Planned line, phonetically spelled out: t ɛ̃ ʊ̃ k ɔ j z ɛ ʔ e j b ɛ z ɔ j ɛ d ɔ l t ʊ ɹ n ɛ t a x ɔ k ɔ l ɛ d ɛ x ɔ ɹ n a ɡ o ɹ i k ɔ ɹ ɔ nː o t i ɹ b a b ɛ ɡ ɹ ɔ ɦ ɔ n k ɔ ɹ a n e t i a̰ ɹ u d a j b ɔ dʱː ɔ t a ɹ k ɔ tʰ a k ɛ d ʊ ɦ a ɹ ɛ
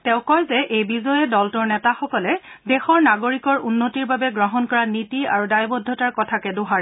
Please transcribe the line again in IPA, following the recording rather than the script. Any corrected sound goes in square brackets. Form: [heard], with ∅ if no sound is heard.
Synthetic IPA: t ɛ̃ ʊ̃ k ɔ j z ɛ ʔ e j b [i] z ɔ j ɛ d ɔ l t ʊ ɹ n ɛ t a x ɔ k ɔ l ɛ d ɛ x ɔ ɹ n a ɡ o ɹ i k ɔ ɹ [u] nː o t i ɹ b a b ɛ ɡ ɹ ɔ ɦ ɔ n k ɔ ɹ a n [i] t i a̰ ɹ u d a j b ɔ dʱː ɔ t a ɹ k ɔ tʰ a k ɛ d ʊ ɦ a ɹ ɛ